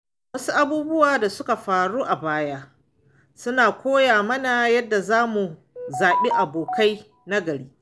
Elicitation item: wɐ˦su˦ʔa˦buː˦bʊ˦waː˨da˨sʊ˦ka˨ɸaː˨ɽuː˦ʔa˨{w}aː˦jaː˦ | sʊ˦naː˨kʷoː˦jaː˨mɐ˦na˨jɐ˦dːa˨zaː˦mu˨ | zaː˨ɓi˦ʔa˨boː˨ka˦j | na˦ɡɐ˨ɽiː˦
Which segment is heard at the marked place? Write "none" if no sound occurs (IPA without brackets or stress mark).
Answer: b